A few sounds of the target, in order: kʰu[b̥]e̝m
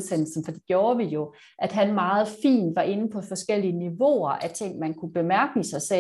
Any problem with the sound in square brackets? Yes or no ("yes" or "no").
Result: no